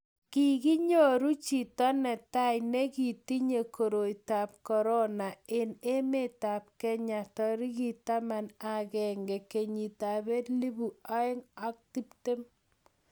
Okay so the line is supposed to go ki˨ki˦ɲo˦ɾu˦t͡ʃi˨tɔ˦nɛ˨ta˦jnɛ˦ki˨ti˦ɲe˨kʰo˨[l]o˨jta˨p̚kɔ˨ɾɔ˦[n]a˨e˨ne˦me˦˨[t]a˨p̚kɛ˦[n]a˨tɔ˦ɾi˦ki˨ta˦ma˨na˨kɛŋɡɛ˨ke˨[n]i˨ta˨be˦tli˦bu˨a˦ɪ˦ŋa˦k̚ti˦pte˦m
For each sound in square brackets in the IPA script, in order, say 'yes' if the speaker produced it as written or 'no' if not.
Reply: no, yes, yes, no, no

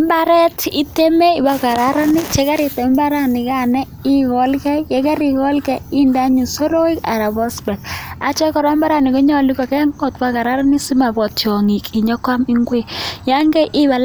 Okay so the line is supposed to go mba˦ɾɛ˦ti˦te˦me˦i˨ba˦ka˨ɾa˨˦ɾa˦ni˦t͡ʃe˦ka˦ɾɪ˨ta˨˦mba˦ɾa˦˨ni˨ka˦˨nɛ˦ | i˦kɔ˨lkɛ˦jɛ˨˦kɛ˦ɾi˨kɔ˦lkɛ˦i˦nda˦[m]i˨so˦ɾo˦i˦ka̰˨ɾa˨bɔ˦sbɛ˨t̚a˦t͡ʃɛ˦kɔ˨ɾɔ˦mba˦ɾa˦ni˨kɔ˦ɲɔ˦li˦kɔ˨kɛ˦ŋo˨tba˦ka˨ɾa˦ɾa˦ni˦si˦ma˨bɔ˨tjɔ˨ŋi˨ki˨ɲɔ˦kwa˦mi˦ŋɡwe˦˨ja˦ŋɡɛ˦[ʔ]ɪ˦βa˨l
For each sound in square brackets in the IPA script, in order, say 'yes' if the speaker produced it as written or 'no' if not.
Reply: no, yes

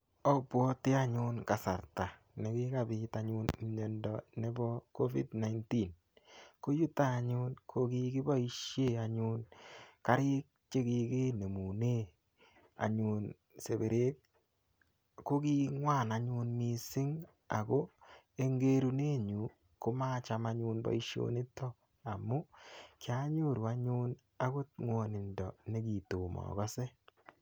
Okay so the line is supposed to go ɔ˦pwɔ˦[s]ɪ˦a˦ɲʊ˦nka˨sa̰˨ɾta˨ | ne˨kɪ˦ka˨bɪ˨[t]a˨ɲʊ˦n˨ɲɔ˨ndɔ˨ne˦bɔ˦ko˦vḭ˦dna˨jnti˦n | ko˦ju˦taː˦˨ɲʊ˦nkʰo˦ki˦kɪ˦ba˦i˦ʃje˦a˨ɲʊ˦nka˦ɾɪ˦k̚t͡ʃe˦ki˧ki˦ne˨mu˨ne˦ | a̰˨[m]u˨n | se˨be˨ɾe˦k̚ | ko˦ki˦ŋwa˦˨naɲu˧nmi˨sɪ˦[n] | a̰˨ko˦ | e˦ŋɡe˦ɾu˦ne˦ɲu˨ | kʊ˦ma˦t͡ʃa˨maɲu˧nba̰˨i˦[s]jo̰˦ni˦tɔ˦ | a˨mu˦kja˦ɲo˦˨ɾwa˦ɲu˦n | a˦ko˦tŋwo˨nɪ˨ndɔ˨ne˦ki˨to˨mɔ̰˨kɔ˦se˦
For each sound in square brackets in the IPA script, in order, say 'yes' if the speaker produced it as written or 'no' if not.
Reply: no, yes, no, no, no

